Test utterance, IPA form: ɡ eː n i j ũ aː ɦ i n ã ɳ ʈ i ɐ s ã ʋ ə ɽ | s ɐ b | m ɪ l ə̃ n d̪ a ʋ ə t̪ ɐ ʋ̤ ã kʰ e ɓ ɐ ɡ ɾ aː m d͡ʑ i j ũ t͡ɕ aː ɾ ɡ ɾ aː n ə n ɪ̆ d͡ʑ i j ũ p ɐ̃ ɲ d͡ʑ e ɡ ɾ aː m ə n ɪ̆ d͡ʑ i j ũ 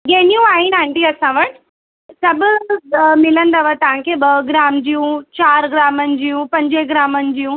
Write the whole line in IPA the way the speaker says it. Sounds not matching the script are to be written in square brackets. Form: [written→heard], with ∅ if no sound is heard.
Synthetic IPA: ɡ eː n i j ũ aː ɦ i n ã ɳ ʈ i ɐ s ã ʋ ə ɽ | s ɐ b | m ɪ l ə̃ n d̪ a ʋ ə t̪ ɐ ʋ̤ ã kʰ e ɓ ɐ ɡ ɾ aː m d͡ʑ i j ũ t͡ɕ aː ɾ ɡ ɾ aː [n→m] ə n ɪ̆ d͡ʑ i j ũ p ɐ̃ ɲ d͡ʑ e ɡ ɾ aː m ə n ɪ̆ d͡ʑ i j ũ